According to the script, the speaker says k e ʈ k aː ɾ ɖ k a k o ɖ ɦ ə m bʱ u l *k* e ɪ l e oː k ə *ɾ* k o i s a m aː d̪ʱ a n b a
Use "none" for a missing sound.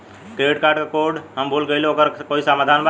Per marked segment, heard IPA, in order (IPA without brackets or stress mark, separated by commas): ɡ, ɾ